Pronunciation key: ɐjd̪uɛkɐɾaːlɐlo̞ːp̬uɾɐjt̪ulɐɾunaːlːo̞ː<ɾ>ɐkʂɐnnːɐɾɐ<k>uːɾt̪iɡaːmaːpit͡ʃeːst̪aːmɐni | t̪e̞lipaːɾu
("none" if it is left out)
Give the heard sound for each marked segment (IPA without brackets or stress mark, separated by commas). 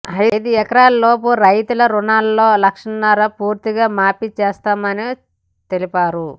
l, p